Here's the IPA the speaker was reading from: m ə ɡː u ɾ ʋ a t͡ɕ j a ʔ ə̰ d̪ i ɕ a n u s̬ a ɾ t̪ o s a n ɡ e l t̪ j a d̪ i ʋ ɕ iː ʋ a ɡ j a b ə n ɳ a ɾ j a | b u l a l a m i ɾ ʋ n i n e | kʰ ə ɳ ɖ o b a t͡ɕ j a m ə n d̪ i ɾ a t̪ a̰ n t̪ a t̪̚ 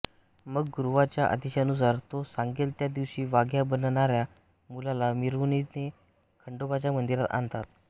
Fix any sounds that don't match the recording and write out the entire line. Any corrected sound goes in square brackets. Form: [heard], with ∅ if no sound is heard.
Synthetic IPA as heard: m ə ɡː u ɾ ʋ a t͡ɕ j a ʔ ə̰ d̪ i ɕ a n u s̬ a ɾ t̪ o s a [ŋ] ɡ e l t̪ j a d̪ i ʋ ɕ iː ʋ a ɡ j a b ə n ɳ a ɾ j a | [m] u l a l a m i ɾ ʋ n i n e | kʰ ə ɳ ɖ o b a t͡ɕ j a m ə n d̪ i ɾ a t̪ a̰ n t̪ a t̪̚